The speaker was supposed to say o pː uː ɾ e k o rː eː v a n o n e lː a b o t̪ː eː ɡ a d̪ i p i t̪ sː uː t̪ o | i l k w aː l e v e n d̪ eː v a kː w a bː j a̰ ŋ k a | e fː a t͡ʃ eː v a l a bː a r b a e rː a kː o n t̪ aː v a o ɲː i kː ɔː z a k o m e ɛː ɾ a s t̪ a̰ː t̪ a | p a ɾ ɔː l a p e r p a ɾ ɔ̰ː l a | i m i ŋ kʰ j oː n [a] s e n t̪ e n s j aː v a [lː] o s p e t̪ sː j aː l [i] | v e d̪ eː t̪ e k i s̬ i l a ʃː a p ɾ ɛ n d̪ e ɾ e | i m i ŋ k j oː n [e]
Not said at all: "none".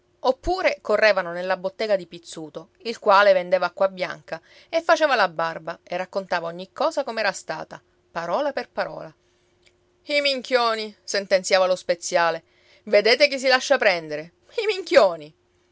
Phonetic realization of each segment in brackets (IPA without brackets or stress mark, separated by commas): i, l, e, i